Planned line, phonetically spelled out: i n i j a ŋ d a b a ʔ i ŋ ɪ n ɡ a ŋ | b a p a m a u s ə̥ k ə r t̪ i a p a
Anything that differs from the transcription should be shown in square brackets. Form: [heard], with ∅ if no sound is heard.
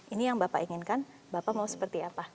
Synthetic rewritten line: i n i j a ŋ [b] a [p] a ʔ i ŋ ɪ n [k] a [n] | b a p a m a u s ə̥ [p] ə r t̪ i a p a

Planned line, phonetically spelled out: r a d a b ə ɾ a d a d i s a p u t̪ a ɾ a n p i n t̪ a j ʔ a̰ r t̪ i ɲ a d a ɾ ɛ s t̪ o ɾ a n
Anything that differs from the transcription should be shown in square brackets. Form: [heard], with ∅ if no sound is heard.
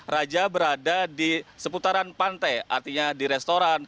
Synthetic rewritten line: r a [d͡ʒ] a b ə ɾ a d a d i s [ə] p u t̪ a ɾ a n p [a] n t̪ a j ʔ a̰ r t̪ i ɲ a d [i] ɾ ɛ s t̪ o ɾ a n

